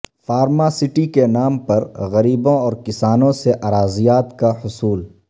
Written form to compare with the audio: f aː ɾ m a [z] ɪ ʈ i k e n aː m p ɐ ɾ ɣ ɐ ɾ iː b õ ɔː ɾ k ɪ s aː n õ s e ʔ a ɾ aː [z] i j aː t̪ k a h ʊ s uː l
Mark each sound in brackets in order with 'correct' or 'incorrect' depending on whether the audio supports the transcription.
incorrect, correct

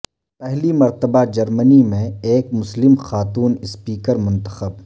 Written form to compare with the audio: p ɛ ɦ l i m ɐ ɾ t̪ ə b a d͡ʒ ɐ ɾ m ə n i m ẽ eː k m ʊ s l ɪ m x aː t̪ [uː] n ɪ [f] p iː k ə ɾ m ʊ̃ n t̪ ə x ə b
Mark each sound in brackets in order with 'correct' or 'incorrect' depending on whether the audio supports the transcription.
correct, incorrect

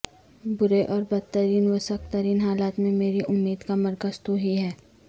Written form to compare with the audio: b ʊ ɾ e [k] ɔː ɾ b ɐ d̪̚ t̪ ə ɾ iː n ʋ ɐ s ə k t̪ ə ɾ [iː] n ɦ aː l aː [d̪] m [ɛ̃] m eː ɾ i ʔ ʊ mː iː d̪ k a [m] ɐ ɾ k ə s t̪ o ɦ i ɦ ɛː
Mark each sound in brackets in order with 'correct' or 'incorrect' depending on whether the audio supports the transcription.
incorrect, correct, incorrect, incorrect, correct

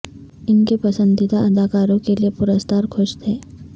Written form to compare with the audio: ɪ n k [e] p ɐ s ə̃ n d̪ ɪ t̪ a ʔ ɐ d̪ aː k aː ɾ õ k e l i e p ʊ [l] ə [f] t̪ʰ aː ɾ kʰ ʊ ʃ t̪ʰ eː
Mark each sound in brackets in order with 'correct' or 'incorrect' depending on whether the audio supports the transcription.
correct, incorrect, incorrect

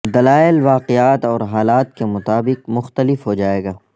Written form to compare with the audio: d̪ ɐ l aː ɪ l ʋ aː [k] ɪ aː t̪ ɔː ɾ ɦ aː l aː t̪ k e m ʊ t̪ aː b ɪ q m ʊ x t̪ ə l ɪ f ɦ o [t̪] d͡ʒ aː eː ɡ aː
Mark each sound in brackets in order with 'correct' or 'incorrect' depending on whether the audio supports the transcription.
incorrect, incorrect

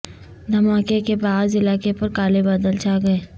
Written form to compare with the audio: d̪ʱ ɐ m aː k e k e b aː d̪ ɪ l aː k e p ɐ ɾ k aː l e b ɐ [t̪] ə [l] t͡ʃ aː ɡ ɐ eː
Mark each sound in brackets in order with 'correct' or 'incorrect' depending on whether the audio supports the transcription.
incorrect, correct

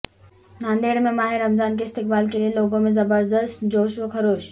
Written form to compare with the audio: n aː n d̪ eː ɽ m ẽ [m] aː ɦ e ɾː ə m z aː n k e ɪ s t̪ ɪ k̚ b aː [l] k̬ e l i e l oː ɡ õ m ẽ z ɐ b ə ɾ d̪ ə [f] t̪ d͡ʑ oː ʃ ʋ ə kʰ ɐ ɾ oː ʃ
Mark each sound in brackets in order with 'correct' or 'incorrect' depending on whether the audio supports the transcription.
correct, correct, incorrect

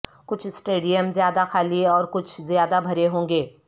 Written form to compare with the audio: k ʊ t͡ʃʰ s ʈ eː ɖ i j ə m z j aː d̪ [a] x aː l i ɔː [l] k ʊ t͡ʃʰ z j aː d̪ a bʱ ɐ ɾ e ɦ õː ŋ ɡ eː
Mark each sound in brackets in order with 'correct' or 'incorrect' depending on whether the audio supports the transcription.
correct, incorrect

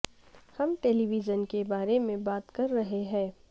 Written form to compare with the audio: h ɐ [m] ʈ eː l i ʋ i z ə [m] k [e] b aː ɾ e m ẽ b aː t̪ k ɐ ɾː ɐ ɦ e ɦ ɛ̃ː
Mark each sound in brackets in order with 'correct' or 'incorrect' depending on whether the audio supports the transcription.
correct, incorrect, correct

